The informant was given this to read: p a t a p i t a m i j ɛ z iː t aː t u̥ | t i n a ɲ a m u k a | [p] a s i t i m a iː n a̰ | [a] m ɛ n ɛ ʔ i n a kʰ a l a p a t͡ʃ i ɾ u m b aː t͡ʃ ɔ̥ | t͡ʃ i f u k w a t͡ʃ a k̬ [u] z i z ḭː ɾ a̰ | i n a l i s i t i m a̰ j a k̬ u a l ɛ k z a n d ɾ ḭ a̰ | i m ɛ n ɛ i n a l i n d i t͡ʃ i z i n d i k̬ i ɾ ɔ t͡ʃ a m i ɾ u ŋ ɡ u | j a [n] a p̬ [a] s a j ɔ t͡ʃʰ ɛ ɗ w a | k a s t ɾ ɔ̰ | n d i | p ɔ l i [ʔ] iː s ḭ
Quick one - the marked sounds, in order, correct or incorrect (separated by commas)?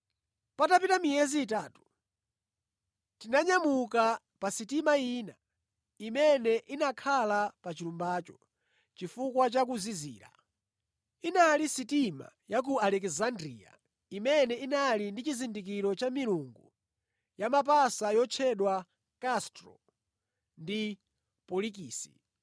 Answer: correct, incorrect, correct, incorrect, correct, incorrect